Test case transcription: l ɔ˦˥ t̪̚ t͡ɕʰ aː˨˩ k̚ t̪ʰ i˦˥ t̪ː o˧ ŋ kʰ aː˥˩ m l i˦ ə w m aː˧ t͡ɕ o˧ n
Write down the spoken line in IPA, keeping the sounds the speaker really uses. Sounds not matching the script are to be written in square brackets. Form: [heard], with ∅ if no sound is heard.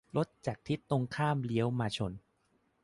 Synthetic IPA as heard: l [o˦˥] t̪̚ [t͡ɕ] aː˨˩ k̚ t̪ʰ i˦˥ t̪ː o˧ ŋ kʰ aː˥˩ m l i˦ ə w m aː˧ [t͡ɕʰ] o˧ n